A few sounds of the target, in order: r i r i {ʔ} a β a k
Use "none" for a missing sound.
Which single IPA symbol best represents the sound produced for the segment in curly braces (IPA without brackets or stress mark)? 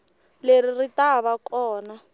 t